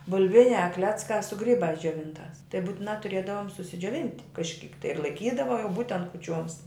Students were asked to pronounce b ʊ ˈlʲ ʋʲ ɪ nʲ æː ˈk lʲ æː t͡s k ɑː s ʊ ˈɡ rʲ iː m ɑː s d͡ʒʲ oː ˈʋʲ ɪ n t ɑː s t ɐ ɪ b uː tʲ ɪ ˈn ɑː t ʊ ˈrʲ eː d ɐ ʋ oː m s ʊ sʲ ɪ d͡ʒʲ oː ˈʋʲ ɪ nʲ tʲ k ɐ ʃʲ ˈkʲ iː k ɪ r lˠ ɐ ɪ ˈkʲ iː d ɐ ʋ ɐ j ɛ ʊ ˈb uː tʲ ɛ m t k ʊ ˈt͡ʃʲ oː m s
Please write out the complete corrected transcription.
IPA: b ʊ ˈlʲ ʋʲ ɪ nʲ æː ˈk lʲ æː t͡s k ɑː s ʊ ˈɡ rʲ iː b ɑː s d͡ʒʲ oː ˈʋʲ ɪ n t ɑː s t ɐ ɪ b uː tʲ ɪ ˈn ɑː t ʊ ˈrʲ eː d ɐ ʋ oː m s ʊ sʲ ɪ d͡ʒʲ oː ˈʋʲ ɪ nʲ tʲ k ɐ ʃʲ ˈkʲ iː k ɪ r lˠ ɐ ɪ ˈkʲ iː d ɐ ʋ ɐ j ɛ ʊ ˈb uː tʲ ɛ n t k ʊ ˈt͡ʃʲ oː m s

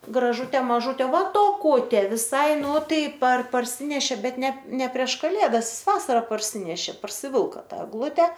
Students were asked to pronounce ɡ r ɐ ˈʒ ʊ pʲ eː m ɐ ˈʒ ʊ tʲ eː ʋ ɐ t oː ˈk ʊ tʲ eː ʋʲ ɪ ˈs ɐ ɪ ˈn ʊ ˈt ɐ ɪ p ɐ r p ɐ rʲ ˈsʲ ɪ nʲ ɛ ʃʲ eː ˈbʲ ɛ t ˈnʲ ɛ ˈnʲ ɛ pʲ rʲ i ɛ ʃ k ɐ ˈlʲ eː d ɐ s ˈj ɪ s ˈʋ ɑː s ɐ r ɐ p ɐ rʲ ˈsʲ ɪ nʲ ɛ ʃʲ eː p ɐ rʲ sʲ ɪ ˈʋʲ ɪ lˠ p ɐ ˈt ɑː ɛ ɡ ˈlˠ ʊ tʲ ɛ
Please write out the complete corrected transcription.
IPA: ɡ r ɐ ˈʒ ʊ tʲ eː m ɐ ˈʒ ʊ tʲ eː ʋ ɐ t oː ˈk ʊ tʲ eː ʋʲ ɪ ˈs ɐ ɪ ˈn ʊ ˈt ɐ ɪ p ɐ r p ɐ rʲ ˈsʲ ɪ nʲ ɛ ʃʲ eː ˈbʲ ɛ t ˈnʲ ɛ ˈnʲ ɛ pʲ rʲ i ɛ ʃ k ɐ ˈlʲ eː d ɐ s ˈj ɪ s ˈʋ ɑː s ɐ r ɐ p ɐ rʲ ˈsʲ ɪ nʲ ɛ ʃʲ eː p ɐ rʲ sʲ ɪ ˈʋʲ ɪ lˠ k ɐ ˈt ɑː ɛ ɡ ˈlˠ ʊ tʲ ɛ

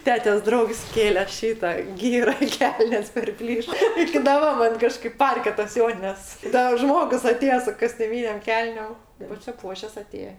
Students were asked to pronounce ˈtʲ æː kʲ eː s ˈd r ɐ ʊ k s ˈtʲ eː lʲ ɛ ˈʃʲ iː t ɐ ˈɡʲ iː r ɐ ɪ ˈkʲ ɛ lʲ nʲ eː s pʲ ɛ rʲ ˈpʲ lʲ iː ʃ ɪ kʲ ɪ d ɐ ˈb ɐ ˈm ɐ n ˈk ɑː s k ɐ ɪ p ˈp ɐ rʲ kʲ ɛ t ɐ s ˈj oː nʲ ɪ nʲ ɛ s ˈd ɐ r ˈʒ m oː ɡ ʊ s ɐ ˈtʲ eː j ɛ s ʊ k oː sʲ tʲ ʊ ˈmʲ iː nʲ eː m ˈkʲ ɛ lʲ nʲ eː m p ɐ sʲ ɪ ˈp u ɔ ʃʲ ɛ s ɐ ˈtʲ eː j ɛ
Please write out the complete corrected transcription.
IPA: ˈtʲ æː tʲ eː s ˈd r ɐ ʊ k s ˈkʲ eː lʲ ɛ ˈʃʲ iː t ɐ ˈɡʲ iː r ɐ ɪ ˈkʲ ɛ lʲ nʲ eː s pʲ ɛ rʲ ˈpʲ lʲ iː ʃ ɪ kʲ ɪ d ɐ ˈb ɐ ˈm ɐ n ˈk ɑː ʃ k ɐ ɪ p ˈp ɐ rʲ kʲ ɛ t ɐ s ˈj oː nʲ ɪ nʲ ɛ s ˈd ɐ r ˈʒ m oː ɡ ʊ s ɐ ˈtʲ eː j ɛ s ʊ k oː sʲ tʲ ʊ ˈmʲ iː nʲ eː m ˈkʲ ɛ lʲ nʲ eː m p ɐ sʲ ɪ ˈp u ɔ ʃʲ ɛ s ɐ ˈtʲ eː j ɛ

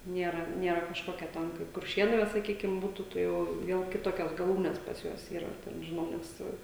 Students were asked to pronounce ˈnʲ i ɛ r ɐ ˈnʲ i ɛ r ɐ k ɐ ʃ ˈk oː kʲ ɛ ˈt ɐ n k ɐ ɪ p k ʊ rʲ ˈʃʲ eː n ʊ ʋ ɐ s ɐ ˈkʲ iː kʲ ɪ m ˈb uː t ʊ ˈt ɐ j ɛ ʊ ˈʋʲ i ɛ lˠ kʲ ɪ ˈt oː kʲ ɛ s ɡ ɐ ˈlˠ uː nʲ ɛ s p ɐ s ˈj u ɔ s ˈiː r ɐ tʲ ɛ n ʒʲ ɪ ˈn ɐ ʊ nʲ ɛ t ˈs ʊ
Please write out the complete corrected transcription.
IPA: ˈnʲ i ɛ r ɐ ˈnʲ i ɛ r ɐ k ɐ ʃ ˈk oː kʲ ɛ ˈt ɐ n k ɐ ɪ p k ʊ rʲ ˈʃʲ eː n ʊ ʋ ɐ s ɐ ˈkʲ iː kʲ ɪ m ˈb uː t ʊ ˈt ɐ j ɛ ʊ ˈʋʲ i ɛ lˠ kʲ ɪ ˈt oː kʲ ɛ s ɡ ɐ ˈlˠ uː nʲ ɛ s p ɐ s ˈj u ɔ s ˈiː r ɐ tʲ ɛ n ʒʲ ɪ ˈn ɐ ʊ nʲ ɛ s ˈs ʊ

